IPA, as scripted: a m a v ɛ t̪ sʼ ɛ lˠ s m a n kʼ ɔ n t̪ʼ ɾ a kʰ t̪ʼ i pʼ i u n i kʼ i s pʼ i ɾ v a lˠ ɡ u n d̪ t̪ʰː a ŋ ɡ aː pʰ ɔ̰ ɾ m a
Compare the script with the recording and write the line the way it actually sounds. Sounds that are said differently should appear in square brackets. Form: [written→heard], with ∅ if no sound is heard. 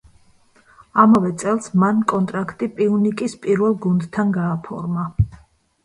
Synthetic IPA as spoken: a m a v ɛ t̪ sʼ ɛ lˠ s m a n kʼ ɔ n t̪ʼ ɾ a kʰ t̪ʼ i pʼ i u n i kʼ i s pʼ i ɾ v [a→ɛ] lˠ ɡ u n d̪ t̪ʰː a [ŋ→n] ɡ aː pʰ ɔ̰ ɾ m a